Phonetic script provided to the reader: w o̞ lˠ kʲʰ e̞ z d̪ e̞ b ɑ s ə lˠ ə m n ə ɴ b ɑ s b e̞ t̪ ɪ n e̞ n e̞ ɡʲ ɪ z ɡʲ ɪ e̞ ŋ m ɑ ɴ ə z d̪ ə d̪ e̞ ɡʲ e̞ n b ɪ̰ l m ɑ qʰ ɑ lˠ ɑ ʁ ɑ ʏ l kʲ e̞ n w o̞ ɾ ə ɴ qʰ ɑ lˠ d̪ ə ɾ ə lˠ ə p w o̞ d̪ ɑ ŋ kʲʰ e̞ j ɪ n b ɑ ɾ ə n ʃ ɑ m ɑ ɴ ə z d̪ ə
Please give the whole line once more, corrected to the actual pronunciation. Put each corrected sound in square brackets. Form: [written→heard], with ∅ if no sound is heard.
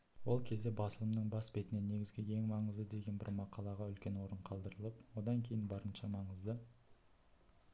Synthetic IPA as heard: w o̞ lˠ kʲʰ e̞ z d̪ e̞ b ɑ s ə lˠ ə m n ə ɴ b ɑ s b e̞ t̪ ɪ n e̞ n e̞ ɡʲ ɪ z ɡʲ ɪ e̞ ŋ m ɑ ɴ ə z d̪ ə d̪ e̞ ɡʲ e̞ n b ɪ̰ [l→ɾ] m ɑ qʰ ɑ lˠ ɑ ʁ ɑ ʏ l kʲ e̞ n w o̞ ɾ ə ɴ qʰ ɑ lˠ d̪ ə ɾ ə lˠ ə p w o̞ d̪ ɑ ŋ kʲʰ e̞ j ɪ n b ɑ ɾ ə n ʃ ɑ m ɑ ɴ ə z d̪ ə